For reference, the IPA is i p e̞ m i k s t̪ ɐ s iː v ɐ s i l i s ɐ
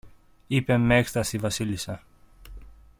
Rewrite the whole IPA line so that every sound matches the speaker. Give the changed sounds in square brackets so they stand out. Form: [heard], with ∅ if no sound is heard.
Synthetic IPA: i p e̞ m [e] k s t̪ ɐ s [i] v ɐ s i l i s ɐ